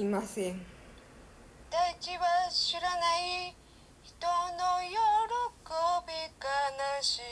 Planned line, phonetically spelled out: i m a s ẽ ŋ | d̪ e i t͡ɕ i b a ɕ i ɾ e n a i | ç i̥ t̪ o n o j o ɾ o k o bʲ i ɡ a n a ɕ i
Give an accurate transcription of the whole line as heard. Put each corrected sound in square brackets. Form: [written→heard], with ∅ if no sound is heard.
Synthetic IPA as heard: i m a s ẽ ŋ | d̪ [e→a] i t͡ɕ i [b→β] a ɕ i ɾ [e→a] n a i | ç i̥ t̪ o n o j o ɾ o k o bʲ i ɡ a n a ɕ i

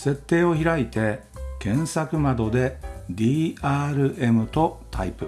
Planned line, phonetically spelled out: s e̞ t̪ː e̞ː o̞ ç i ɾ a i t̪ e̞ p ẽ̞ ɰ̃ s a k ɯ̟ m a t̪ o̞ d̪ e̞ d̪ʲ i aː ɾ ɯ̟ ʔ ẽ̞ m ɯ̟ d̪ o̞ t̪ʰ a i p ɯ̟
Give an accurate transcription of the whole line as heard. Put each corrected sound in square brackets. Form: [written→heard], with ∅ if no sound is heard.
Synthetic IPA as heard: s e̞ t̪ː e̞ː o̞ ç i ɾ a i t̪ e̞ [p→k] ẽ̞ ɰ̃ s a k ɯ̟ m a [t̪→d̪] o̞ d̪ e̞ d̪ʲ [i→iː] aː ɾ ɯ̟ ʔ [ẽ̞→e̞] m ɯ̟ [d̪→t̪] o̞ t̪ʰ a i p ɯ̟

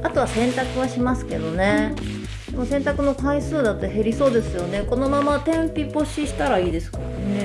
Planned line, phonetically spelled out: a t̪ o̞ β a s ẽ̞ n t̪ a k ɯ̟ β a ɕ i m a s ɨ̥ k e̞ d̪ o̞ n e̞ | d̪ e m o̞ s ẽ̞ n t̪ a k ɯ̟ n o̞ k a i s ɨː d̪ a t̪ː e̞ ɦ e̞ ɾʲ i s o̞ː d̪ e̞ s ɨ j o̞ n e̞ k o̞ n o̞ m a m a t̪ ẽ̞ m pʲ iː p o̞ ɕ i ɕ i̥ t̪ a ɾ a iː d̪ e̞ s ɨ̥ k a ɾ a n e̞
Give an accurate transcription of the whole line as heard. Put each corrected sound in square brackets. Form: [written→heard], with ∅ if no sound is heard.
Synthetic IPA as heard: a t̪ o̞ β a s ẽ̞ n t̪ a k ɯ̟ β a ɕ i m a s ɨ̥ k e̞ d̪ o̞ n e̞ | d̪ e m o̞ s ẽ̞ n t̪ a k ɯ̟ n o̞ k a i s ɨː d̪ a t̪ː e̞ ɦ e̞ ɾʲ i s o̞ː d̪ e̞ s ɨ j o̞ n e̞ k o̞ n o̞ m a m a t̪ ẽ̞ m pʲ [iː→i] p o̞ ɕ i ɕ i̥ t̪ a ɾ a iː d̪ e̞ s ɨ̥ k a ɾ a n e̞

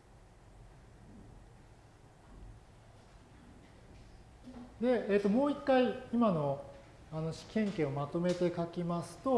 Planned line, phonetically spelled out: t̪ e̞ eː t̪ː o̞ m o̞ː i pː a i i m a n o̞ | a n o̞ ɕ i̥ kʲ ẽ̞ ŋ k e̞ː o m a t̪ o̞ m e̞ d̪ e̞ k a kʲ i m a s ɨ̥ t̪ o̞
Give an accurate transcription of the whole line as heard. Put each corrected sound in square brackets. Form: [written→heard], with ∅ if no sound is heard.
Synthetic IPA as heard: [t̪→d̪] e̞ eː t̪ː o̞ m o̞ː i [pː→kː] a i i m a n o̞ | a n o̞ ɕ i̥ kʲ ẽ̞ ŋ k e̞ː o m a t̪ o̞ m e̞ [d̪→t̪] e̞ k a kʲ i m a s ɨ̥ t̪ o̞

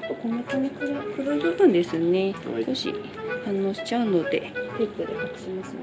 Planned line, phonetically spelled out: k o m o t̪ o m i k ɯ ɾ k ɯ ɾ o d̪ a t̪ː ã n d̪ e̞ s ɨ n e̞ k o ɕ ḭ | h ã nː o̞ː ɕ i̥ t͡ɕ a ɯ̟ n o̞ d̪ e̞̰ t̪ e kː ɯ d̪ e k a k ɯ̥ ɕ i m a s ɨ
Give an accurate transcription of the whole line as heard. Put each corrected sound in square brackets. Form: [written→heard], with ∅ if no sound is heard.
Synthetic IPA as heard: k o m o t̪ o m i k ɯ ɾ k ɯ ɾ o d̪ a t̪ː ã n d̪ e̞ s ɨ n e̞ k o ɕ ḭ | h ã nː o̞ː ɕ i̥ t͡ɕ a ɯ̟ n o̞ d̪ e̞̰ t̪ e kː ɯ d̪ e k a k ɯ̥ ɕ i m a s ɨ

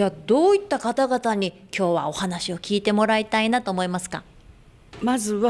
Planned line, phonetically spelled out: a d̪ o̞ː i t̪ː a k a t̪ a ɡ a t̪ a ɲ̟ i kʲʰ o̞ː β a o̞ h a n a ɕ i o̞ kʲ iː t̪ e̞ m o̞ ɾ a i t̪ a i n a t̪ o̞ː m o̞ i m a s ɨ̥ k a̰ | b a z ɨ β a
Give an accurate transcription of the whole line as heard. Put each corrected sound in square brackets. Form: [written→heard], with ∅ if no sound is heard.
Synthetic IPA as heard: a d̪ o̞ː i t̪ː a k a t̪ a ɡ a t̪ a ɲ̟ i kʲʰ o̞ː β a o̞ h a n a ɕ i o̞ kʲ iː t̪ e̞ m o̞ ɾ a i t̪ a i n a t̪ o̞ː m o̞ i m a s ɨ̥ k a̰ | [b→m] a z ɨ β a

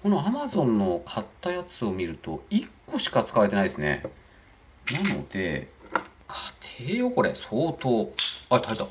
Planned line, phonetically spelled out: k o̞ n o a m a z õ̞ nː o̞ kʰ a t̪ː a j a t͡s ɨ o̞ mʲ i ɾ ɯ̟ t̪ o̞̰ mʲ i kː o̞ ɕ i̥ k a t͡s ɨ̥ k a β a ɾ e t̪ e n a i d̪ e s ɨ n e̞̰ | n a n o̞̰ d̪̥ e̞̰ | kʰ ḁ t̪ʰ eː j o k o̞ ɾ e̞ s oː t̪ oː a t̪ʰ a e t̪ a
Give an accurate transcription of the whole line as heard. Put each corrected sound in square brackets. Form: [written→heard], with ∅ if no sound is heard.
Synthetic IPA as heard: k o̞ n o a m a z õ̞ nː o̞ kʰ a t̪ː a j a t͡s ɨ o̞ mʲ i ɾ ɯ̟ t̪ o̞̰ [mʲ→∅] i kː o̞ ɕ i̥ k a t͡s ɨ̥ k a β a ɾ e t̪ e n a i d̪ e s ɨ n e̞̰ | n a n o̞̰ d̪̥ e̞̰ | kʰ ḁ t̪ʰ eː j o k o̞ ɾ e̞ s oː t̪ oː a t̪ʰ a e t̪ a

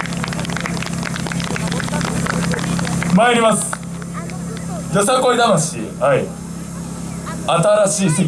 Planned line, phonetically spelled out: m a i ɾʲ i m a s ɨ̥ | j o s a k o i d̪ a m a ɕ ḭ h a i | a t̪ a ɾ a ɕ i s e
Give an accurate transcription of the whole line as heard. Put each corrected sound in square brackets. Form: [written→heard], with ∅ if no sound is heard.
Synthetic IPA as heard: m a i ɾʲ i m a s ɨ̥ | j o s a k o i d̪ a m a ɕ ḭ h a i | a t̪ a ɾ a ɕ [i→iː] s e

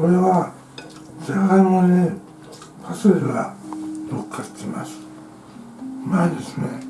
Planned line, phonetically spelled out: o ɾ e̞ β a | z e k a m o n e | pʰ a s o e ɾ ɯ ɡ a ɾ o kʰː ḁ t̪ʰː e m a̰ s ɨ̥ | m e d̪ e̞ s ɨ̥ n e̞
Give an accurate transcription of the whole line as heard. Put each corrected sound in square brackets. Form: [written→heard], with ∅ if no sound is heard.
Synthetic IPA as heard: o ɾ e̞ β a | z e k a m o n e | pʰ a s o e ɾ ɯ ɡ a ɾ o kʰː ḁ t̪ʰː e m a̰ s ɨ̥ | m [e→a] d̪ e̞ s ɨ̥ n e̞

